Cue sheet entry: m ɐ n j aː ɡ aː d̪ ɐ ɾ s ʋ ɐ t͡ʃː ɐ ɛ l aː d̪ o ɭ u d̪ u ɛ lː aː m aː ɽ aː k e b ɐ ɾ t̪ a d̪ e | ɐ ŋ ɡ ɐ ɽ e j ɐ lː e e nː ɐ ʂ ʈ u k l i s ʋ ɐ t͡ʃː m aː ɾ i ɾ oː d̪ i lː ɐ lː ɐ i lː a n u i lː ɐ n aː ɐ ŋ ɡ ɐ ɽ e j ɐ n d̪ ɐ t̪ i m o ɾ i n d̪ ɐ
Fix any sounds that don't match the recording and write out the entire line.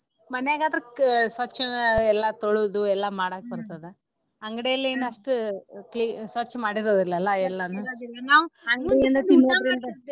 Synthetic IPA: m ɐ n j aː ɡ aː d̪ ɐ ɾ s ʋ ɐ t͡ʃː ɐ ɛ lː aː t̪ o ɭ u d̪ u ɛ lː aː m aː ɽ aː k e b ɐ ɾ t̪ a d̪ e | ɐ ŋ ɡ ɐ ɽ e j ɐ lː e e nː ɐ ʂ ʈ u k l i s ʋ ɐ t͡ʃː m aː ɽ i ɾ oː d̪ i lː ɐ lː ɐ ɛ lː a n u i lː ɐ n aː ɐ ŋ ɡ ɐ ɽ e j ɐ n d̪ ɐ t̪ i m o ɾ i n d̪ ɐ